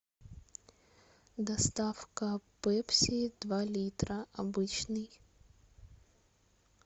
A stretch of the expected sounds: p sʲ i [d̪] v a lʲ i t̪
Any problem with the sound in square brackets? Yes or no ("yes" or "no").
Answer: no